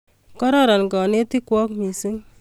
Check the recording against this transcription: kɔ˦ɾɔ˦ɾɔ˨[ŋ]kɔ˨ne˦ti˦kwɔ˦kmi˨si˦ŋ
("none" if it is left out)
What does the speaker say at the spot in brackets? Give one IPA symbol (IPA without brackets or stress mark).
n